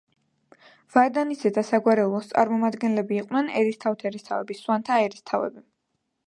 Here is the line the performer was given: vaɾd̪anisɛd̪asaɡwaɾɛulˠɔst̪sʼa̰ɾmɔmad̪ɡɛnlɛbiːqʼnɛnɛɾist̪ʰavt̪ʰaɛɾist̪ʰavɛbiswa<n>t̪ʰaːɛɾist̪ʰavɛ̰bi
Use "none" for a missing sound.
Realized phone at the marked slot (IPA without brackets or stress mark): n